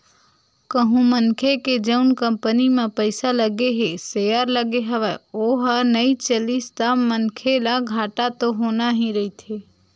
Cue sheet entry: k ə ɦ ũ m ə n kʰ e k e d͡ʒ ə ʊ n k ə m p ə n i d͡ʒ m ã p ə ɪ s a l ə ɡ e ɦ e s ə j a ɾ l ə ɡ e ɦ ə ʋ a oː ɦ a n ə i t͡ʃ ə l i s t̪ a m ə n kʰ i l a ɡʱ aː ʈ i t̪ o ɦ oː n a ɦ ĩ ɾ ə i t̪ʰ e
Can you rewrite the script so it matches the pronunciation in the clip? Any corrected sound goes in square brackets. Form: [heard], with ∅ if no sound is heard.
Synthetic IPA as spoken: k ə ɦ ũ m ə n kʰ e k e d͡ʒ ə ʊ n k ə m p ə n i [∅] m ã p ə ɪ s a l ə ɡ e ɦ e s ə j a ɾ l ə ɡ e ɦ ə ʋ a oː ɦ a n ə i t͡ʃ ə l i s t̪ a m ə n kʰ [e] l a ɡʱ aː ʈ [a] t̪ o ɦ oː n a ɦ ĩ ɾ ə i t̪ʰ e